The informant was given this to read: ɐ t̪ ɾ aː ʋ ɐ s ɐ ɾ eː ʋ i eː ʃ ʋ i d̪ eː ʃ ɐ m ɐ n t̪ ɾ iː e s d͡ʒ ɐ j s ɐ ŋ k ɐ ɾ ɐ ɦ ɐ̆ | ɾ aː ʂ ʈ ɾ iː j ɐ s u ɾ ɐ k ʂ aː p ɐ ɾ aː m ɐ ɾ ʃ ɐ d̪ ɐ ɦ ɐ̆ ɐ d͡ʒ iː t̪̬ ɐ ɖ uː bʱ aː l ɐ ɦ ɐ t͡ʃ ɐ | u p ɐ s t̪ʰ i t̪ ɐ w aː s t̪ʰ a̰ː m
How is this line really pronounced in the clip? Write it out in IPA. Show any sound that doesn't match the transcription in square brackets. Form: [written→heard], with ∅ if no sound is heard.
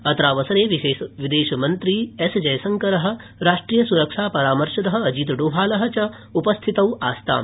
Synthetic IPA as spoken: ɐ t̪ ɾ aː ʋ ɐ s ɐ ɾ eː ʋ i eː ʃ ʋ i d̪ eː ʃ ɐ m ɐ n t̪ ɾ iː e s d͡ʒ ɐ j s ɐ ŋ k ɐ ɾ ɐ ɦ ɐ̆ | ɾ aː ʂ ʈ ɾ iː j ɐ s u ɾ ɐ k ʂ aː p ɐ ɾ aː m ɐ ɾ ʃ ɐ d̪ ɐ ɦ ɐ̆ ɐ d͡ʒ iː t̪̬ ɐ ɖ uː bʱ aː l ɐ ɦ ɐ t͡ʃ ɐ | u p ɐ s t̪ʰ i t̪ ɐ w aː s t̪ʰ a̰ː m

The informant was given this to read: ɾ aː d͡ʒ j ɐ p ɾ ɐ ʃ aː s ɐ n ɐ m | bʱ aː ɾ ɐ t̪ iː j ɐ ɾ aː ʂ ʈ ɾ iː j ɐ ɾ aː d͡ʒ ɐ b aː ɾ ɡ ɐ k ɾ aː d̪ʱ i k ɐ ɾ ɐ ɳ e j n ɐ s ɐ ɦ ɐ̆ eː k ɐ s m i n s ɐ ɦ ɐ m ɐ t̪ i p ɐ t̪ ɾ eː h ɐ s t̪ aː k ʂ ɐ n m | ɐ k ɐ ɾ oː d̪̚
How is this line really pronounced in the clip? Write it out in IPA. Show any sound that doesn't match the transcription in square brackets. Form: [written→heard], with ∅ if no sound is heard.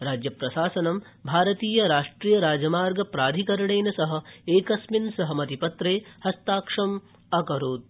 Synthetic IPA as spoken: ɾ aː d͡ʒ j ɐ p ɾ ɐ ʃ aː s ɐ n ɐ m | bʱ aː ɾ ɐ t̪ iː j ɐ ɾ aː ʂ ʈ ɾ iː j ɐ ɾ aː d͡ʒ ɐ [b→m] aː ɾ ɡ ɐ [k→p] ɾ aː d̪ʱ i k ɐ ɾ ɐ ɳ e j n ɐ s ɐ ɦ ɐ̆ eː k ɐ s m i n s ɐ ɦ ɐ m ɐ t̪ i p ɐ t̪ ɾ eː h ɐ s t̪ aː k ʂ ɐ [n→∅] m | ɐ k ɐ ɾ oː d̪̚

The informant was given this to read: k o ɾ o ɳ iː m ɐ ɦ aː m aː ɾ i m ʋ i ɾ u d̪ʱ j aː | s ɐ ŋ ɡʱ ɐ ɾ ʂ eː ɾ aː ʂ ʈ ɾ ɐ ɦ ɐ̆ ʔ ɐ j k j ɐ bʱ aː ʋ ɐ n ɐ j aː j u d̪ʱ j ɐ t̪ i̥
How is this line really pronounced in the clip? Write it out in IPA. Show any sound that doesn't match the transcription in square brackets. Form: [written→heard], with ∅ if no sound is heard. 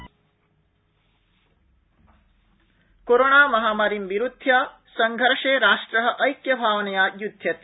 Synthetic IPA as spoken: k o ɾ o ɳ [iː→aː] m ɐ ɦ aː m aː ɾ i m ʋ i ɾ u d̪ʱ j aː | s ɐ ŋ ɡʱ ɐ ɾ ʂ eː ɾ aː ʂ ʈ ɾ ɐ ɦ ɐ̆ ʔ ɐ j k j ɐ bʱ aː ʋ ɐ n ɐ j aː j u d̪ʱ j ɐ t̪ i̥

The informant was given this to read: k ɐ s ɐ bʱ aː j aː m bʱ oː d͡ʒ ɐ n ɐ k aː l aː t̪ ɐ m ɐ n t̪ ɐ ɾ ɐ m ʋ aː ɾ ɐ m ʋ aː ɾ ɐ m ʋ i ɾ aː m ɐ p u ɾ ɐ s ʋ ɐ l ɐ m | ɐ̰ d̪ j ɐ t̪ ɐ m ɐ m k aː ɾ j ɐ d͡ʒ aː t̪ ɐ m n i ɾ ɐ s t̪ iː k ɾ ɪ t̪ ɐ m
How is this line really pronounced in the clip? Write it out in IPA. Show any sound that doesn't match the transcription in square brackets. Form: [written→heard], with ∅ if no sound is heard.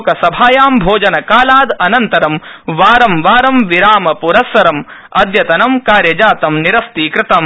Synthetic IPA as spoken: k ɐ s ɐ bʱ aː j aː m bʱ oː d͡ʒ ɐ n ɐ k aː l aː [t̪→d̪] ɐ [m→n] ɐ n t̪ ɐ ɾ ɐ m ʋ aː ɾ ɐ m ʋ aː ɾ ɐ m ʋ i ɾ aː m ɐ p u ɾ ɐ s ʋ ɐ [l→ɾ] ɐ m | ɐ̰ d̪ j ɐ t̪ ɐ [m→n] ɐ m k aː ɾ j ɐ d͡ʒ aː t̪ ɐ m n i ɾ ɐ s t̪ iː k ɾ ɪ t̪ ɐ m

